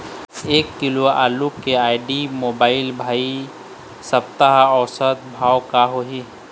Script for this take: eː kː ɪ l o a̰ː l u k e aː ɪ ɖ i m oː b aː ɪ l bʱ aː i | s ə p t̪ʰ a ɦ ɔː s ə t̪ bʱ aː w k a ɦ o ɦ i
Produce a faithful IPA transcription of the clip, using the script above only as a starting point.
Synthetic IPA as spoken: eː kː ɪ l o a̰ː l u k e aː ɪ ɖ i m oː b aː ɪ l bʱ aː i | s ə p t̪ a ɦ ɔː s ə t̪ bʱ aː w k a ɦ o ɦ i